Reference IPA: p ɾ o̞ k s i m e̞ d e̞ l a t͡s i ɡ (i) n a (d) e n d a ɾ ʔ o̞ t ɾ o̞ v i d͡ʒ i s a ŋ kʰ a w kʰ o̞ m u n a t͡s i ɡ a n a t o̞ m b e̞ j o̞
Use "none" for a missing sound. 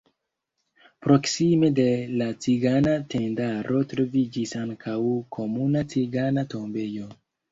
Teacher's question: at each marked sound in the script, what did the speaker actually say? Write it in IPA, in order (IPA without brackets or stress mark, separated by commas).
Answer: a, t